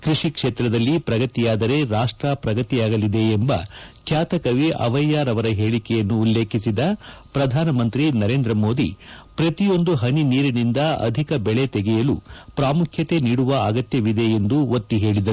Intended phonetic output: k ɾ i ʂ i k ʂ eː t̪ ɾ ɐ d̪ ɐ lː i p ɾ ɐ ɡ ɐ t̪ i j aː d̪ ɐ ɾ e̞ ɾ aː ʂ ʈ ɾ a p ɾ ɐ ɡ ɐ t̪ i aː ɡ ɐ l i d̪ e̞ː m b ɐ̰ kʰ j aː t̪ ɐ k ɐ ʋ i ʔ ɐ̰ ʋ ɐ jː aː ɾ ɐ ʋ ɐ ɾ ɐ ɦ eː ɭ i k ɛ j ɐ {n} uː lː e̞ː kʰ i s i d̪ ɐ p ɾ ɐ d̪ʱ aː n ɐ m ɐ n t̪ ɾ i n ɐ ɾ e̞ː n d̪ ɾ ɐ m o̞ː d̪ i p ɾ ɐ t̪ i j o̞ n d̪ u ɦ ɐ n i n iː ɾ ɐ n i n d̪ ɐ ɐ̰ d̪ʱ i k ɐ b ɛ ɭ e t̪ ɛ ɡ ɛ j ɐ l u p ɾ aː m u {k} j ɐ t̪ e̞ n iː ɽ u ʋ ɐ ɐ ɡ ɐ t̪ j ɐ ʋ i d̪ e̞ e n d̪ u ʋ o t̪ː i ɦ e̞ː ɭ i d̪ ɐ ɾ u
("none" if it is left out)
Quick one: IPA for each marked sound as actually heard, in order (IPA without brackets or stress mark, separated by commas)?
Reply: nː, kʰ